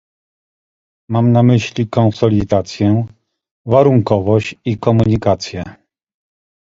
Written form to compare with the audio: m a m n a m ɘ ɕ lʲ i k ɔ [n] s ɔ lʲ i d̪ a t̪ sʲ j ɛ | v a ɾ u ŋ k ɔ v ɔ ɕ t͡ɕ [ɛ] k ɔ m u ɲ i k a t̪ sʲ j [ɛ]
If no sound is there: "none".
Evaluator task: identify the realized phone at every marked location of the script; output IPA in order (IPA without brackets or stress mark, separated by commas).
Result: n, i, ɛ